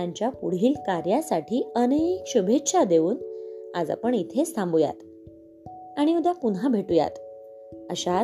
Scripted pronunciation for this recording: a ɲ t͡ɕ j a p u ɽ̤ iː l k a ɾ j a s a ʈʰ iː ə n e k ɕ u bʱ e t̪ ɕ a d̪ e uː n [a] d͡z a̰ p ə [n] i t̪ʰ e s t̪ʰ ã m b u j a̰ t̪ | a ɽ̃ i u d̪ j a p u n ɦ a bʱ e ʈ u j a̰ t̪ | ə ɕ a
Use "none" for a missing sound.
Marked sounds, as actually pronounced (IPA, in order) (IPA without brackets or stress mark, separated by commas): a, ɳ